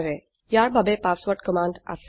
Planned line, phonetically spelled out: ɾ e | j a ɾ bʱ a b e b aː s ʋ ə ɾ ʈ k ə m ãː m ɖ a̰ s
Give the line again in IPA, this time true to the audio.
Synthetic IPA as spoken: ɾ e | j a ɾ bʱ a b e p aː s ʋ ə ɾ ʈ k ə m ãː ɳ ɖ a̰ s